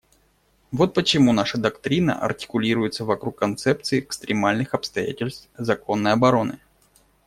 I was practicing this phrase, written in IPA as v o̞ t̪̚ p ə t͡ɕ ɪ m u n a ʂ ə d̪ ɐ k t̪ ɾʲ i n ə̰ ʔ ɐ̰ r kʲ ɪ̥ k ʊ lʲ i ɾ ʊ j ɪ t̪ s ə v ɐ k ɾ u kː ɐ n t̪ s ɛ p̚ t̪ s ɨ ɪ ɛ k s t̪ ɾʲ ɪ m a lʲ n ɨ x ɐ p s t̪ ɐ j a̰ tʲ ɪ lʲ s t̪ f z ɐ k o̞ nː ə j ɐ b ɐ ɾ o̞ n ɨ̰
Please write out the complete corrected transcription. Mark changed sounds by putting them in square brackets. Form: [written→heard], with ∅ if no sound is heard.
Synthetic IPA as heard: v o̞ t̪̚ p ə t͡ɕ ɪ m u n a ʂ ə d̪ ɐ k t̪ ɾʲ i n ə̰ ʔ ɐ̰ r [kʲ→tʲ] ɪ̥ k ʊ lʲ i ɾ ʊ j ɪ t̪ s ə v ɐ k ɾ u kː ɐ n t̪ s ɛ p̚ t̪ s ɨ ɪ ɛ k s t̪ ɾʲ ɪ m a lʲ n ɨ x ɐ p s t̪ ɐ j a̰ tʲ ɪ lʲ s t̪ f z ɐ k o̞ nː ə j ɐ b ɐ ɾ o̞ n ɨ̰